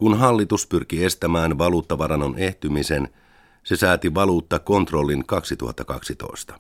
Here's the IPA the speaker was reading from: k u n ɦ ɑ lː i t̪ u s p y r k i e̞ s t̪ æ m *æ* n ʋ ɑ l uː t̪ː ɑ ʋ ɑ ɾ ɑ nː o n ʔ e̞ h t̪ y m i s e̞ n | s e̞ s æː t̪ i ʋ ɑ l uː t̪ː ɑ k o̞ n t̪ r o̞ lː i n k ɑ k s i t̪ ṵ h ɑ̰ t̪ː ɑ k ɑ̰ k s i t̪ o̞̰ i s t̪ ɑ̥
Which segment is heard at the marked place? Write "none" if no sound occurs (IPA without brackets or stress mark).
æː